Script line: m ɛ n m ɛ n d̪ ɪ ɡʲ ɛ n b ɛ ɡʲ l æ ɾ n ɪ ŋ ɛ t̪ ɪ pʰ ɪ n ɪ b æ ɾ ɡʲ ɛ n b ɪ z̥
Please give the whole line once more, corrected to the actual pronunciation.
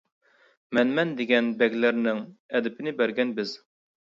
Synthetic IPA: m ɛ n m ɛ n d̪ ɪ ɡʲ ɛ n b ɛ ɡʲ l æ ɾ n ɪ ŋ ɛ d̪ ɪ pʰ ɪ n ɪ b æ ɾ ɡʲ ɛ n b ɪ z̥

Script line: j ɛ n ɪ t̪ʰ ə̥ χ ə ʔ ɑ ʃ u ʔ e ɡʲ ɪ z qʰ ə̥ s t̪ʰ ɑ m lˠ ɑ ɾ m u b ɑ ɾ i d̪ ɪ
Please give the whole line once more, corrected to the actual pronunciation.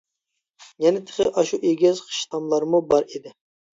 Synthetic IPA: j ɛ n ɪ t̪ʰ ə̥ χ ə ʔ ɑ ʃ u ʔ e ɡʲ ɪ z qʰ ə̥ ʃ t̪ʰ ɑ m lˠ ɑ ɾ m u b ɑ ɾ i d̪ ɪ

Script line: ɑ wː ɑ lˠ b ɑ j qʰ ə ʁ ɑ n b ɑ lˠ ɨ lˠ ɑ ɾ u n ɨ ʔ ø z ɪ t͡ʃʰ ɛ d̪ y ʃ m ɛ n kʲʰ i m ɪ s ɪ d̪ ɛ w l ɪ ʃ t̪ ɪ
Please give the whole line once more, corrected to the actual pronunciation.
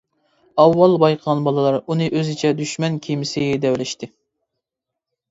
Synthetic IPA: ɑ wː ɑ lˠ b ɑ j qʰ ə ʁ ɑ n b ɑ lˠ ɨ lˠ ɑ ɾ u n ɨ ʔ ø z ɪ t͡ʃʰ ɛ d̪ y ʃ m ɛ n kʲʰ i m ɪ s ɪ d̪ ɛ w l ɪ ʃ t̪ ɪ

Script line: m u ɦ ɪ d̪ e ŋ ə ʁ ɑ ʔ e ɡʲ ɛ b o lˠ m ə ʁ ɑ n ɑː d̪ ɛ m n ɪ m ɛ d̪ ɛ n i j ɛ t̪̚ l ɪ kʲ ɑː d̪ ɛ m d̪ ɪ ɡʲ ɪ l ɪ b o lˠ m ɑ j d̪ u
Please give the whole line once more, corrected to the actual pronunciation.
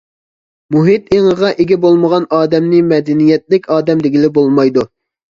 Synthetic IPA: m u ɦ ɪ t̪ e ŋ ə ʁ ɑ ʔ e ɡʲ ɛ b o lˠ m ə ʁ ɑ n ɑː d̪ ɛ m n ɪ m ɛ d̪ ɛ n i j ɛ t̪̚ l ɪ kʲ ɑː d̪ ɛ m d̪ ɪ ɡʲ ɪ l ɪ b o lˠ m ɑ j d̪ u

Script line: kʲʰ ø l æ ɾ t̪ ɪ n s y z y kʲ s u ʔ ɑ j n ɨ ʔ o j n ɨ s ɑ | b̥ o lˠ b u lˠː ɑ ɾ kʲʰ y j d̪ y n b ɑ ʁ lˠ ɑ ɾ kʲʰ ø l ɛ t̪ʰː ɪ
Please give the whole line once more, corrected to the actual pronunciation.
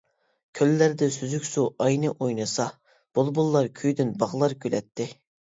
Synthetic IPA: kʲʰ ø lː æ ɾ d̪ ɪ s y z y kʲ s u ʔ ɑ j n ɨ ʔ o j n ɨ s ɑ | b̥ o lˠ b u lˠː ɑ ɾ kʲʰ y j d̪ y n b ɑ ʁ lˠ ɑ ɾ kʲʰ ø l ɛ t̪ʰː ɪ

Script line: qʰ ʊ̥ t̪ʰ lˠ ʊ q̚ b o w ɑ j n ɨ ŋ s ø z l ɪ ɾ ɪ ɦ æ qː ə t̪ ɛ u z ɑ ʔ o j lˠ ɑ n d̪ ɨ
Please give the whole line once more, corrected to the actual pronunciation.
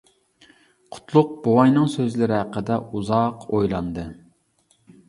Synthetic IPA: qʰ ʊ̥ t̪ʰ lˠ ʊ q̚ b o w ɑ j n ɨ ŋ s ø z l ɪ ɾ ɪ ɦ æ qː ə d̪ ɛ u z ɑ q o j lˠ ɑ n d̪ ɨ

